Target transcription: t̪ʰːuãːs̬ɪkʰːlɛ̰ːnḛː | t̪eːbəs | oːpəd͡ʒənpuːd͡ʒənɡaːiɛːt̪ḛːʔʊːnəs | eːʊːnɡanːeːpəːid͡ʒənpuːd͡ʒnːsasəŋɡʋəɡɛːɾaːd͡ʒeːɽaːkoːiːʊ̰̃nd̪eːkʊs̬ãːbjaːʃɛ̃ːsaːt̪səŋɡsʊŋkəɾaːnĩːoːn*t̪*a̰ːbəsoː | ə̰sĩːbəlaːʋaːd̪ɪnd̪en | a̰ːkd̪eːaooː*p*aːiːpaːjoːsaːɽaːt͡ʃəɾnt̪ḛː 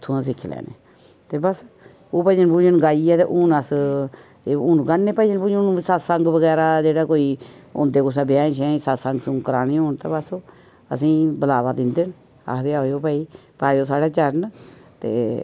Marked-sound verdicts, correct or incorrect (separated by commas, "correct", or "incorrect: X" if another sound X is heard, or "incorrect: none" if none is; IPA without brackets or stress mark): correct, correct